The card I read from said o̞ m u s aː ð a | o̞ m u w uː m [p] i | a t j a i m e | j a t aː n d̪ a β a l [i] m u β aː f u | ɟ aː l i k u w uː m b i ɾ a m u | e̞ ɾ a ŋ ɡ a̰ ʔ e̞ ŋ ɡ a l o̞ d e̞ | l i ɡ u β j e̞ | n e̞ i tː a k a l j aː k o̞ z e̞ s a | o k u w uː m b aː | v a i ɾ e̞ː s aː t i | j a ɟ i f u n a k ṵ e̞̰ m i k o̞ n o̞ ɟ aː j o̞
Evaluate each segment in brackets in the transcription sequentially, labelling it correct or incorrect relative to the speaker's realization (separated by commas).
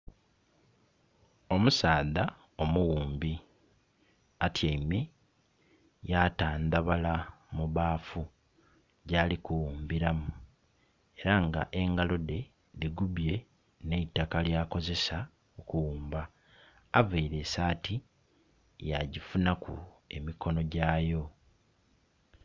incorrect, incorrect